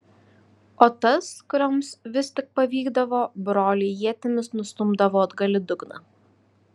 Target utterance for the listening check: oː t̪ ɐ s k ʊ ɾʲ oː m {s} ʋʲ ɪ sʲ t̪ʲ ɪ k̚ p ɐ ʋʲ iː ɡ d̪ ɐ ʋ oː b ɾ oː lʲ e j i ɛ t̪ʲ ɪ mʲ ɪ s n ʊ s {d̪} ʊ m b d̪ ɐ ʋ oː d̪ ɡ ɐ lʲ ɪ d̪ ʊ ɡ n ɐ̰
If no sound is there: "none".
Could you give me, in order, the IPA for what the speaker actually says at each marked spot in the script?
s, t̪

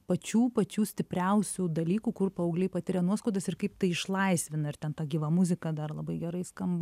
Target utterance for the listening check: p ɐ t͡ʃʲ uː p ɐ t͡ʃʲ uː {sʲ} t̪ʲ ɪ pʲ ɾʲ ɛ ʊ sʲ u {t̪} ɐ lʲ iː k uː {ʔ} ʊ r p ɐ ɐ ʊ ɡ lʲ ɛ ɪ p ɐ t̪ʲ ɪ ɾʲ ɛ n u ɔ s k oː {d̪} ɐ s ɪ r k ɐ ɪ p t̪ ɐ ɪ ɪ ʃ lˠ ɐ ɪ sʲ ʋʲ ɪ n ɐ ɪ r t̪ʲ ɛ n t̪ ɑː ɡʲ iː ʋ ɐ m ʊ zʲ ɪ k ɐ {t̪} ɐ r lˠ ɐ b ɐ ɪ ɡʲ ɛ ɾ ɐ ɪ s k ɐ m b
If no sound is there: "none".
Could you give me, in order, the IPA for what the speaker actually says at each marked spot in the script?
sʲ, d̪, k, d̪, d̪

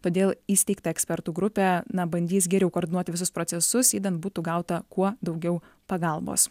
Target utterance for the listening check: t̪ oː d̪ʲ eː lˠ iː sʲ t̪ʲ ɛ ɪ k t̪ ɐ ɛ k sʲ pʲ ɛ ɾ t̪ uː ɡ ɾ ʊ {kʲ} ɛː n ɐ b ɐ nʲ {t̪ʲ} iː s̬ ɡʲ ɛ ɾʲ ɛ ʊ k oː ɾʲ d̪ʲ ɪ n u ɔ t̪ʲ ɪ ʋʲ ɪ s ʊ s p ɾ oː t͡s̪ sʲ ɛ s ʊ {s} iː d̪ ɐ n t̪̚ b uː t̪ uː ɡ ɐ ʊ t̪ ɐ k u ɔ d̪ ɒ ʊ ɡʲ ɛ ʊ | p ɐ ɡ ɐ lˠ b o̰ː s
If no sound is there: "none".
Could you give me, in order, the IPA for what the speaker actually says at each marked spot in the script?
pʲ, d̪ʲ, s

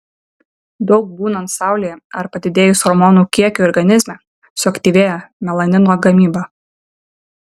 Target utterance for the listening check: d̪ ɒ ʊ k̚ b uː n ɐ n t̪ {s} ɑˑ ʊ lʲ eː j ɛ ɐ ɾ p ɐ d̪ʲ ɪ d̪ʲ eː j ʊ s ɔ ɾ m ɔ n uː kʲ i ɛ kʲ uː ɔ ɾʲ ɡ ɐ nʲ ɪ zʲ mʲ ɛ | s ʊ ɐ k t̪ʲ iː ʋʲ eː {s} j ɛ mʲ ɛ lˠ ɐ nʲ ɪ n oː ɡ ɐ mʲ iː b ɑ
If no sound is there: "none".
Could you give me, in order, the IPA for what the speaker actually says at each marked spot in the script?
s, none

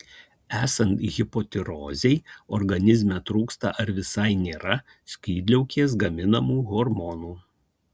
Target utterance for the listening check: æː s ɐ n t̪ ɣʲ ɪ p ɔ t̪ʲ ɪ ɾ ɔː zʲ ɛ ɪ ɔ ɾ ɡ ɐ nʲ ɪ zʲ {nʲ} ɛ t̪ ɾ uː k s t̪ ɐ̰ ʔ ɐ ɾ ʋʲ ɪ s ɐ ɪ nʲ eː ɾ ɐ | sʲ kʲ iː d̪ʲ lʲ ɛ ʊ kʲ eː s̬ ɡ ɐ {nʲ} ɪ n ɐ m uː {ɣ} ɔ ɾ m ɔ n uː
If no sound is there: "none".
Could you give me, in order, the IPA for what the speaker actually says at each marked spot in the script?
mʲ, mʲ, ɣ

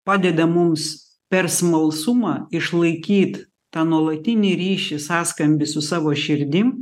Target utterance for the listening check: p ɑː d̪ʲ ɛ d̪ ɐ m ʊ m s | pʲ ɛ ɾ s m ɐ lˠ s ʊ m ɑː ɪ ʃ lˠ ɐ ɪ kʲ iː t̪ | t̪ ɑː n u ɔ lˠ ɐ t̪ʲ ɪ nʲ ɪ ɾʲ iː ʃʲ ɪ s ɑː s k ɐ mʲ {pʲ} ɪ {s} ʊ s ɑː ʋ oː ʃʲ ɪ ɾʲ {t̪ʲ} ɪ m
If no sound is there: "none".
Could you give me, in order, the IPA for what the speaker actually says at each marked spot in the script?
bʲ, s, d̪ʲ

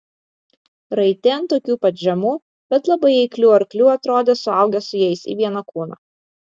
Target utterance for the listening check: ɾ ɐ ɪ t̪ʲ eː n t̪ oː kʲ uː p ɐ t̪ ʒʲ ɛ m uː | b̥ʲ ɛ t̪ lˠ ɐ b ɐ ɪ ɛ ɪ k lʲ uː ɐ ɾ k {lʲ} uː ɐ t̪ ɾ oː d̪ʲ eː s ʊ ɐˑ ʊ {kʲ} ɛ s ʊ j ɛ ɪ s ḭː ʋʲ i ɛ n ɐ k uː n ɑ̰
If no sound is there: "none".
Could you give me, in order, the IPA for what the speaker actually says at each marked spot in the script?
lʲ, ɡʲ

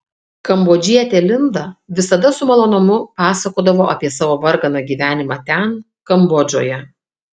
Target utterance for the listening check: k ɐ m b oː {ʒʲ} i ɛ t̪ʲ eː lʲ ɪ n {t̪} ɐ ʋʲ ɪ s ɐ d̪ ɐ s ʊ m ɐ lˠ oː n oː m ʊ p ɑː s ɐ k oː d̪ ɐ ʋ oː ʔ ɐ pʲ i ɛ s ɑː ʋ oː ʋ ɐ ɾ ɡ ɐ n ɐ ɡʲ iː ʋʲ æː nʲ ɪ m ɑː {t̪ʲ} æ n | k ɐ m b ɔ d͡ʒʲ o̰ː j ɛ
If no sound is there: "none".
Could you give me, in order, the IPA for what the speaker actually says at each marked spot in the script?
d͡ʒʲ, d̪, t̪ʲ

